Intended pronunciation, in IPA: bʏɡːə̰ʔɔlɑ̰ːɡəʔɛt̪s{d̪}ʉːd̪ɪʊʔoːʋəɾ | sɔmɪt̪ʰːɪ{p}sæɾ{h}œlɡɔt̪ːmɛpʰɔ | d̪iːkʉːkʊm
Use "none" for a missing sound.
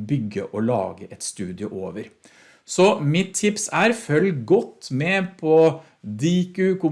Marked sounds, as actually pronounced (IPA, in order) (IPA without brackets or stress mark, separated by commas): t̪, p, f